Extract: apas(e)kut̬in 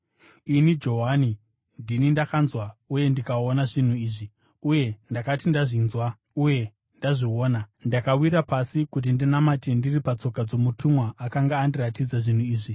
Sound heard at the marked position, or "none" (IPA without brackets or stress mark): i